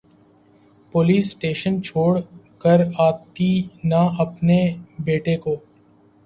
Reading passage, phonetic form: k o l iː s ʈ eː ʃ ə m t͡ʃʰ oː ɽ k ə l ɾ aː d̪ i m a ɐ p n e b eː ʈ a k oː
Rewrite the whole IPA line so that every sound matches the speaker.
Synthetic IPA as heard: p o l iː s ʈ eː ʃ ə n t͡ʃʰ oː ɽ k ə ɾ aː t̪ i n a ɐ p n e b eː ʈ e k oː